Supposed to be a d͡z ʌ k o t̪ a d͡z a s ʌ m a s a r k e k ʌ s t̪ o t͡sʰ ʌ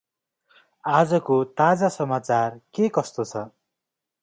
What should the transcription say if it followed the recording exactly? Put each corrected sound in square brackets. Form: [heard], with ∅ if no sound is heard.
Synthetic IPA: a d͡z ʌ k o t̪ a d͡z a s ʌ m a [t͡s] a r k e k ʌ s t̪ o t͡sʰ ʌ

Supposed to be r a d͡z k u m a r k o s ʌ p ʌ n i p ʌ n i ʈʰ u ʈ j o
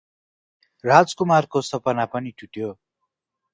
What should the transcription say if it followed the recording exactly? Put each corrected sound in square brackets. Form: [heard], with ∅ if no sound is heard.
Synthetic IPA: r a d͡z k u m a r k o s ʌ p ʌ n [a] p ʌ n i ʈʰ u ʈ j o

